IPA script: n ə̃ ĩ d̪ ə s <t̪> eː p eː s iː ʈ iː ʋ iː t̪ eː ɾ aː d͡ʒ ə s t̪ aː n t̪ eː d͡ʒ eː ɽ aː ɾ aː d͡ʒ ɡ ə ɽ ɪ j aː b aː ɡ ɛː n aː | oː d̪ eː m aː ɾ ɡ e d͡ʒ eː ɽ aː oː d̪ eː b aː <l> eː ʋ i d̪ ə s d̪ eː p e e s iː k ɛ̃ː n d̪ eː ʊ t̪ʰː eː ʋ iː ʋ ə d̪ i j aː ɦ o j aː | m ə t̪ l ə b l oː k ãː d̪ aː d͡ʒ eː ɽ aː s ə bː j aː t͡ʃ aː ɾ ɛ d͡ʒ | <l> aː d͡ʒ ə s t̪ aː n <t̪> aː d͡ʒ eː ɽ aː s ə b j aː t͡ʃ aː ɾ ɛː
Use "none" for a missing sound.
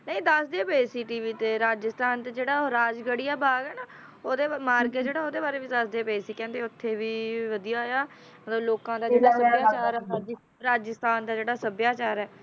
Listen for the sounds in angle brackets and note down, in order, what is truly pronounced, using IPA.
d̪, ɾ, ɾ, d̪

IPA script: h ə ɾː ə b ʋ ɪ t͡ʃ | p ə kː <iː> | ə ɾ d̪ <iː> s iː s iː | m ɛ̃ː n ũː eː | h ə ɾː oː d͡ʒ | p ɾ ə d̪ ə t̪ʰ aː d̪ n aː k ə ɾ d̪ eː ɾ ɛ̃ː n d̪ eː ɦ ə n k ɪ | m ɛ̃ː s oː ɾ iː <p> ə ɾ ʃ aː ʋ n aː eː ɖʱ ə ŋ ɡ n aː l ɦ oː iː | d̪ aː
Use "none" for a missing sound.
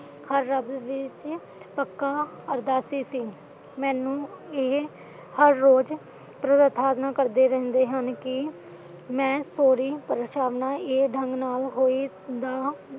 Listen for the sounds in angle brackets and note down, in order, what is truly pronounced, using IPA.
aː, aː, p

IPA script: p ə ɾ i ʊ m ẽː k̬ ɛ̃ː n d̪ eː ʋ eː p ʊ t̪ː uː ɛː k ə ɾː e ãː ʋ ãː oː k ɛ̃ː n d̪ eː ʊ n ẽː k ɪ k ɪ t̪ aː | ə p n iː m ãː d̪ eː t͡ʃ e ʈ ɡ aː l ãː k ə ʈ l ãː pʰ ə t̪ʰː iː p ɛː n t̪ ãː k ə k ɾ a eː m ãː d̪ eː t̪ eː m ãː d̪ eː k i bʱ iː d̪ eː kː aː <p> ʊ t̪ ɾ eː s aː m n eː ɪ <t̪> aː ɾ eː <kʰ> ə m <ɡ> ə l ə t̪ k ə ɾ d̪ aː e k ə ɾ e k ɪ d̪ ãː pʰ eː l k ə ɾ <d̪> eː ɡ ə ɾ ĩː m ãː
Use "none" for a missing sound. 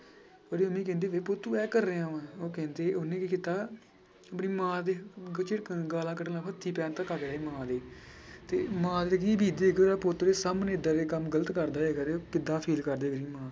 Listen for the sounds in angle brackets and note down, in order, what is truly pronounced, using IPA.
p, d̪, k, ɡ, d̪

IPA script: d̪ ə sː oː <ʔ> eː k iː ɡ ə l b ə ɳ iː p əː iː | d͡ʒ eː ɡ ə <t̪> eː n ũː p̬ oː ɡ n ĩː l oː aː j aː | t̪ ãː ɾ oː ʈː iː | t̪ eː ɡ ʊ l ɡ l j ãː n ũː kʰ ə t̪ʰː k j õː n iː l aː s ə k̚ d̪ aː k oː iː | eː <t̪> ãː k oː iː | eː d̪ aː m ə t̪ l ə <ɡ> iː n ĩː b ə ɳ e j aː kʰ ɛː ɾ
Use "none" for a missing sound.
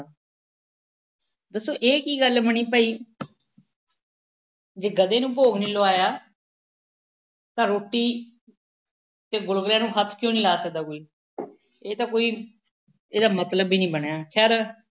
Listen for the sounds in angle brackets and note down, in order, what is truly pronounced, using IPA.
ʔ, d̪, t̪, b

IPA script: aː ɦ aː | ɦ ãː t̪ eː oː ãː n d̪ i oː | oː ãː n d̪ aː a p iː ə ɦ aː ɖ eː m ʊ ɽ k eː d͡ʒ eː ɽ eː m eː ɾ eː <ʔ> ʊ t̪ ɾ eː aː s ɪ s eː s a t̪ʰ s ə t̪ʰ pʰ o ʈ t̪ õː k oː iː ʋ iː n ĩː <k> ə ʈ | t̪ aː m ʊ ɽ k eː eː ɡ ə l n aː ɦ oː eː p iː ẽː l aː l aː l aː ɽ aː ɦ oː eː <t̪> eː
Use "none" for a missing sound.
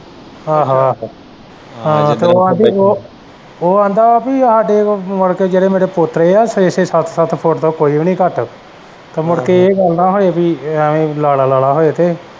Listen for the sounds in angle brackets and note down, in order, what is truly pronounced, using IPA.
p, k, t̪

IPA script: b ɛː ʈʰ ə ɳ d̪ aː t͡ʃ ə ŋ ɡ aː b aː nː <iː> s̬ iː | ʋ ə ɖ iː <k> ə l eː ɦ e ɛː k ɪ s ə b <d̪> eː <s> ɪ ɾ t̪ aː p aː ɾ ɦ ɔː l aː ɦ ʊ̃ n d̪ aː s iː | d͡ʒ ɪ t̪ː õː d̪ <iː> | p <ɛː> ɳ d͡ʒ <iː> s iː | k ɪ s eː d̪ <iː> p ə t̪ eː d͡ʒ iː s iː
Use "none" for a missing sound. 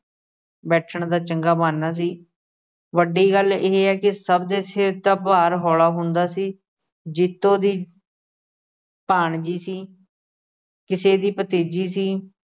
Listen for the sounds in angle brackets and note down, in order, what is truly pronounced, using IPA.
aː, ɡ, d̪, s, iː, aː, iː, iː

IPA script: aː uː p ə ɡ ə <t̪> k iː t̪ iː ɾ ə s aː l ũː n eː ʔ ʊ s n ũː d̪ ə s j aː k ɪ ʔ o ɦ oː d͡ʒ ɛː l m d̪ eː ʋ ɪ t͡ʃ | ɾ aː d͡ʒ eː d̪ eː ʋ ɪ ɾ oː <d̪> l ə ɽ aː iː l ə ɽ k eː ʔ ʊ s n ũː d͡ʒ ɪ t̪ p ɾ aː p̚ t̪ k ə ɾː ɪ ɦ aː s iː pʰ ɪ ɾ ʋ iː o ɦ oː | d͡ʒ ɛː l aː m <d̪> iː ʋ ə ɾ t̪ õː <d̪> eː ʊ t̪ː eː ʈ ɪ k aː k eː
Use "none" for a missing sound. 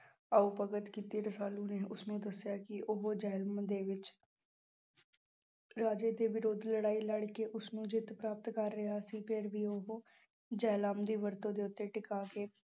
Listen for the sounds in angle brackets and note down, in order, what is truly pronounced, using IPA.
t̪, d̪, d̪, d̪

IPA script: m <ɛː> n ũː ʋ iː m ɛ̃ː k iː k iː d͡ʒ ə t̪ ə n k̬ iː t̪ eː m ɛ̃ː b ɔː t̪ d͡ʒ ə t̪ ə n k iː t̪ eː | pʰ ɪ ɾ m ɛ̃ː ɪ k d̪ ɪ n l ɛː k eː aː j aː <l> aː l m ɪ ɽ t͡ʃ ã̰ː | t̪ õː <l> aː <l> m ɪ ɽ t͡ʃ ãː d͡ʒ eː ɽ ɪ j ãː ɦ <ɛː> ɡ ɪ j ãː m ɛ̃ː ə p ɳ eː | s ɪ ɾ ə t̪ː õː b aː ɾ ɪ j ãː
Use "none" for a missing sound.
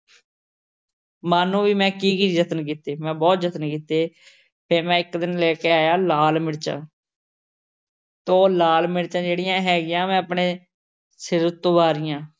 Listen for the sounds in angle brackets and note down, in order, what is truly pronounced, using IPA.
aː, l, l, l, ɛː

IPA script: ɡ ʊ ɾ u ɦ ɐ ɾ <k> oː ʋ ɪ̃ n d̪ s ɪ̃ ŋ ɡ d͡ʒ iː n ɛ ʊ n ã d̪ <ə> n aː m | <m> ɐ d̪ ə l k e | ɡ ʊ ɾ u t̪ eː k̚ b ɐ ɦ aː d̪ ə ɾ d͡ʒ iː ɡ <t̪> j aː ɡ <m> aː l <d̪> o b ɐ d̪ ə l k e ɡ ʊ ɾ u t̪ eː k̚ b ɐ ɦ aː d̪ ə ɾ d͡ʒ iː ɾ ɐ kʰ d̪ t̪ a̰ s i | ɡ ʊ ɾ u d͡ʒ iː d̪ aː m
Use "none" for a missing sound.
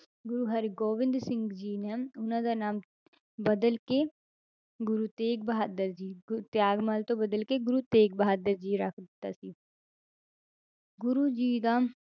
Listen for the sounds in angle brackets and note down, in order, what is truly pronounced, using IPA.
ɡ, a, b, t̪, m, t̪

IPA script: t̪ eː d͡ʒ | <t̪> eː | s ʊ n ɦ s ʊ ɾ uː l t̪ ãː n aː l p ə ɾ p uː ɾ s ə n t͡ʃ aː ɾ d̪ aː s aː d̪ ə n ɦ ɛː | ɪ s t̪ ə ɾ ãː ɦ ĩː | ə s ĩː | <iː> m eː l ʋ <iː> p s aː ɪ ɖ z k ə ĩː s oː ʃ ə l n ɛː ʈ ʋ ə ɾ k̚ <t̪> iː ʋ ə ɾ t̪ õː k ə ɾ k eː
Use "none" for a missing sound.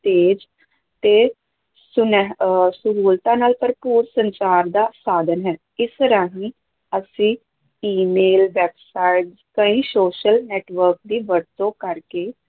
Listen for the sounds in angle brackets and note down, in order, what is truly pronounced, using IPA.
t̪, iː, ɛː, d̪

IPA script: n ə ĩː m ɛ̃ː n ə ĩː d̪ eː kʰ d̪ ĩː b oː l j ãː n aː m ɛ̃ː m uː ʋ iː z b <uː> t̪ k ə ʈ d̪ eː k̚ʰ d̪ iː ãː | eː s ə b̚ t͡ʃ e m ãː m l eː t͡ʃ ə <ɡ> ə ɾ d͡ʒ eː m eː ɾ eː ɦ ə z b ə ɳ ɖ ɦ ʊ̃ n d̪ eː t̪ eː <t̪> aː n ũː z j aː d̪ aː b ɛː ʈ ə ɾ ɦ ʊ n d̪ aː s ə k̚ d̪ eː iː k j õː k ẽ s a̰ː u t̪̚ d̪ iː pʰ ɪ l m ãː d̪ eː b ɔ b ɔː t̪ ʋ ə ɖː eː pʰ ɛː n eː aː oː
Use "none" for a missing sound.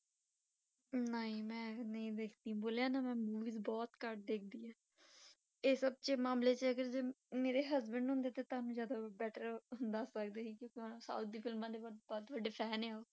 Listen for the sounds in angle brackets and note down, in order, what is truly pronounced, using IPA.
ɔː, ɡ, t̪

